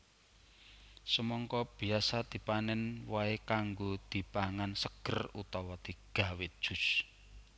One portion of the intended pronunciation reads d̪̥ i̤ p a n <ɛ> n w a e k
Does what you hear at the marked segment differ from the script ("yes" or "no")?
no